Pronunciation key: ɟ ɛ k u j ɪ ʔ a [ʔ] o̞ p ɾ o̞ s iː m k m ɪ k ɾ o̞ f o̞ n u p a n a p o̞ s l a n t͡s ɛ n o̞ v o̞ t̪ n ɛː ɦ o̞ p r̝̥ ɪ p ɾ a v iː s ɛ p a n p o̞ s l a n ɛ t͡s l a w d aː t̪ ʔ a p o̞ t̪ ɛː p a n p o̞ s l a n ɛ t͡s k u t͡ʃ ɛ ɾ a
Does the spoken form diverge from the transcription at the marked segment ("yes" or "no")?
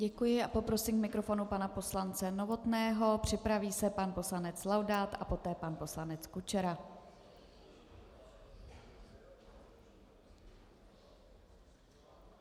yes